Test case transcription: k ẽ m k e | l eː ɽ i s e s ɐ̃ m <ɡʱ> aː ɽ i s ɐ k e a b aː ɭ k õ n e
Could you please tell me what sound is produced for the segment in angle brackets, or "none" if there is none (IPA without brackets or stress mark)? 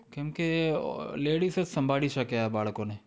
bʱ